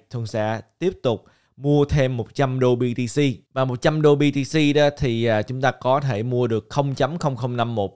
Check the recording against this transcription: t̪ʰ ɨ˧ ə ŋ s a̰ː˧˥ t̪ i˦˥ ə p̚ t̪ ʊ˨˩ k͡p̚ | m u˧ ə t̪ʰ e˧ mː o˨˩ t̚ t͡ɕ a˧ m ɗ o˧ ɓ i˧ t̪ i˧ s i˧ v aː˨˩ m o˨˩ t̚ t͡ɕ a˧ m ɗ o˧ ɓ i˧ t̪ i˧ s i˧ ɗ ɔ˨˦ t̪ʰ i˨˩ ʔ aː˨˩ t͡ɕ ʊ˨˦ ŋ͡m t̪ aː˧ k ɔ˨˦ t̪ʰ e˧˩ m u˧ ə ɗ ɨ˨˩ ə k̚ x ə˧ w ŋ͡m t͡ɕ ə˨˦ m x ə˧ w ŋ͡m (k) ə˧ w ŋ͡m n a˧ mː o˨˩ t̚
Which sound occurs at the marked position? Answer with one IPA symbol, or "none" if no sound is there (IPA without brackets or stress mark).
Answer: x